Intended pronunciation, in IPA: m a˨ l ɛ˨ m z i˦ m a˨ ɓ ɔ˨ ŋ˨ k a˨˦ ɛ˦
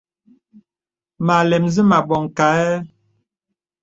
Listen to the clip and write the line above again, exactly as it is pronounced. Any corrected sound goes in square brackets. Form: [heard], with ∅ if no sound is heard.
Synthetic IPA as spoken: m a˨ l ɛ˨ m z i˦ m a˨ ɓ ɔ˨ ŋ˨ k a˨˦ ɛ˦